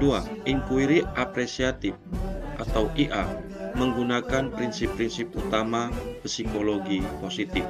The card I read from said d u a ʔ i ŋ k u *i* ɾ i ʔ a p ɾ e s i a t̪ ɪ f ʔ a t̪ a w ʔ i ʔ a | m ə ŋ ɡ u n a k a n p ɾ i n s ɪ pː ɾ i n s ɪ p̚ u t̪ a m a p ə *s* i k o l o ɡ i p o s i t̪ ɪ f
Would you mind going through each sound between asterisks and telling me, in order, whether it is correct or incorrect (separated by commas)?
correct, correct